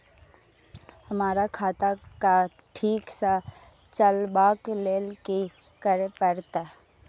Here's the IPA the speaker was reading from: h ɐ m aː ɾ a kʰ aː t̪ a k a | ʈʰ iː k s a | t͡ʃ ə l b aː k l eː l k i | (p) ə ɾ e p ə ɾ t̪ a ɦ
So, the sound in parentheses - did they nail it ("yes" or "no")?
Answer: no